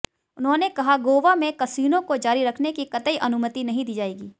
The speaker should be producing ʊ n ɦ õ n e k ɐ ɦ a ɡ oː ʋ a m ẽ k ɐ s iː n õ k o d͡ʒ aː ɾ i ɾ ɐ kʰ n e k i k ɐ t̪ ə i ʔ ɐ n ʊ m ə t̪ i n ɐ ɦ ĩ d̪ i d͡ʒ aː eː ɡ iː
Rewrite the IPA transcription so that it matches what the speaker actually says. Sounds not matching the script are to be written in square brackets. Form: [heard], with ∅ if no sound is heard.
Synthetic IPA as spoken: ʊ n ɦ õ n e k ɐ ɦ a ɡ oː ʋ a m ẽ k ɐ s iː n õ k o d͡ʒ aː ɾ i ɾ ɐ kʰ n e k i k ɐ t̪ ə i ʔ ɐ n ʊ m ə t̪ i n ɐ ɦ ĩ d̪ [iː] d͡ʒ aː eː ɡ iː